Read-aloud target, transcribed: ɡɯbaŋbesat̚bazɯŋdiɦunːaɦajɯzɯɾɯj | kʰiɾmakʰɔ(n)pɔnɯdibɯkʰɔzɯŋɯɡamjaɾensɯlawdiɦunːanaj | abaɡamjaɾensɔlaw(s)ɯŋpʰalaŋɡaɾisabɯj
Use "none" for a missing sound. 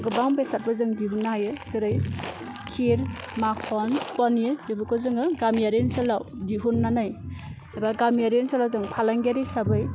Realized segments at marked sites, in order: n, z

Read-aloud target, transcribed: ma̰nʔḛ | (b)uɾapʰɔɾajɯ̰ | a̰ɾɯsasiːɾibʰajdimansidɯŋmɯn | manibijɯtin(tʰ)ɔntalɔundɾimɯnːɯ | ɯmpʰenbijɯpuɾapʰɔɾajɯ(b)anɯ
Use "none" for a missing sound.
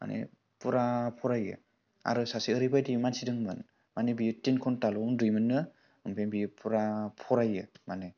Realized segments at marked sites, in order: p, kʰ, m

